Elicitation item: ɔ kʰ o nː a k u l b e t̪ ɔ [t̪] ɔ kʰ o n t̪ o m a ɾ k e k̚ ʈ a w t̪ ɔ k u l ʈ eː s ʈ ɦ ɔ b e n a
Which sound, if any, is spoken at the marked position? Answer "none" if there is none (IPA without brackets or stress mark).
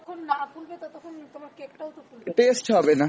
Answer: t̪